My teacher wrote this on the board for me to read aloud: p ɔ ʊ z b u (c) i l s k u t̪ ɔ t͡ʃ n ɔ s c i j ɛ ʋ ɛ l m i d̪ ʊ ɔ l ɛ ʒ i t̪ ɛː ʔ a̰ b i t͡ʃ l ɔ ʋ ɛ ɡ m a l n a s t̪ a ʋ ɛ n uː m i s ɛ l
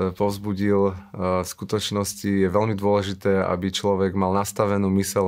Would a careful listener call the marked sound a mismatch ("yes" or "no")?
yes